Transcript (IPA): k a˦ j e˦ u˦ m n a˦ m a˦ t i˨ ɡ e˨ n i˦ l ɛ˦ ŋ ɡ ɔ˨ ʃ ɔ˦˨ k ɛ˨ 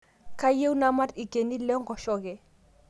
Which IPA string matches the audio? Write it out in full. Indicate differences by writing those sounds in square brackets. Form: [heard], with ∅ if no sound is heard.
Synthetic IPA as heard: k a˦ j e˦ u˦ [∅] n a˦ m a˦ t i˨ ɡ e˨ n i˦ l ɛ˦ ŋ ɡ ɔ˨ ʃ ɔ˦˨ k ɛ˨